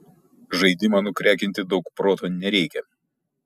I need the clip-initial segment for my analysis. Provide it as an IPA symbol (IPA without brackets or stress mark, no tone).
ʒ